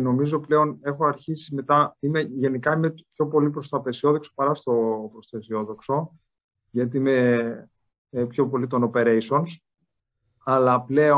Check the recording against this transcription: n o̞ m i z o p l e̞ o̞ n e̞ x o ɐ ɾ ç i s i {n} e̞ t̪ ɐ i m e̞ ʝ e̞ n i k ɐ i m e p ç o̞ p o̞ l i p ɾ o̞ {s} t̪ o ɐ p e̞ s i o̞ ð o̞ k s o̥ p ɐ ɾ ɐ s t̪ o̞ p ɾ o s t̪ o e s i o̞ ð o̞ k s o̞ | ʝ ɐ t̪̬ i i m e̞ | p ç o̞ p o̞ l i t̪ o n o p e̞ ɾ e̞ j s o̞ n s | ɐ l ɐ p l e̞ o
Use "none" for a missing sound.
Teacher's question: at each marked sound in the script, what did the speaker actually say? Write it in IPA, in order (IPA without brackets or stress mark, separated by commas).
m, s